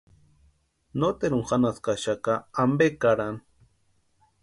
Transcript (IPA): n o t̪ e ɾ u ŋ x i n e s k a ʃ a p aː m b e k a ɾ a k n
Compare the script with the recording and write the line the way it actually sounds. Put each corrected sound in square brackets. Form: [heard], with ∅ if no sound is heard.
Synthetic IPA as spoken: n o t̪ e ɾ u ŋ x [a] n [a] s k a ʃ a [k] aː m b e k a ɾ a [∅] n